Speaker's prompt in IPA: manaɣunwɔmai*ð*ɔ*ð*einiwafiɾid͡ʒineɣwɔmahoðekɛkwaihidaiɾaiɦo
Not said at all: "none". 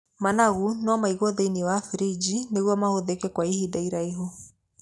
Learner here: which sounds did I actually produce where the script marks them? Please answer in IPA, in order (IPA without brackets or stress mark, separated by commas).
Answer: ɣ, ð